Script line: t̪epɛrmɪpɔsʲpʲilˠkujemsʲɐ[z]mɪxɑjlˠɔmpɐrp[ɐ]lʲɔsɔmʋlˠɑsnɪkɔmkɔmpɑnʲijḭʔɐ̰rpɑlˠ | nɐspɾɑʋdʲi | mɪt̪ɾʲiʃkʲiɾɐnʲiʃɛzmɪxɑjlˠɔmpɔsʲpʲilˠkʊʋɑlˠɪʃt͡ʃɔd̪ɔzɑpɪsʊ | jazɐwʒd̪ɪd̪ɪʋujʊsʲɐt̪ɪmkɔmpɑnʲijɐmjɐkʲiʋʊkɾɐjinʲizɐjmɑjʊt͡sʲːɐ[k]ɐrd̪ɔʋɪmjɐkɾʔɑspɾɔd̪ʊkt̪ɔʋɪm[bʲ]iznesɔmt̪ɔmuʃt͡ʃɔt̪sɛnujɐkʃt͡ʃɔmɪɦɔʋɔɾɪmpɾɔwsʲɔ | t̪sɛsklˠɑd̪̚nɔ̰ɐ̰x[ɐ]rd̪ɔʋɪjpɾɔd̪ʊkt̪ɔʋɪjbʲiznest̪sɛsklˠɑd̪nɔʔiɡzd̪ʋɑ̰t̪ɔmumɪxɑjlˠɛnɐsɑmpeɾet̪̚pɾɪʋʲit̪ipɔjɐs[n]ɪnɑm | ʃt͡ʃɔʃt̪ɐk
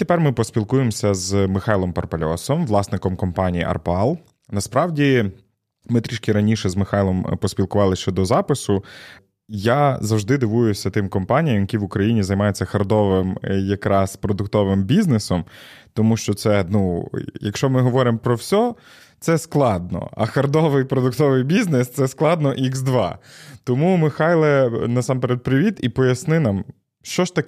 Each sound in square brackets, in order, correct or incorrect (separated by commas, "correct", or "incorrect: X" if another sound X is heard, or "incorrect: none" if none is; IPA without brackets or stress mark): correct, correct, incorrect: x, correct, correct, correct